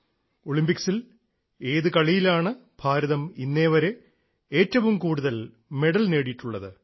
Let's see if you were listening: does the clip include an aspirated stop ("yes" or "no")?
no